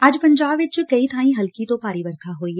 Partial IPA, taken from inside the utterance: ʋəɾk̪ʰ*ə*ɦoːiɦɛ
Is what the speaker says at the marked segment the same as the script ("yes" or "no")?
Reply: no